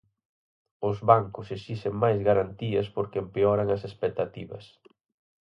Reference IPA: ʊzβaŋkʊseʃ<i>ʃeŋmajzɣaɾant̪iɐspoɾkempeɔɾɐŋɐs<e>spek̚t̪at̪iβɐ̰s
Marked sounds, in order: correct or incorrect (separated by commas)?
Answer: correct, correct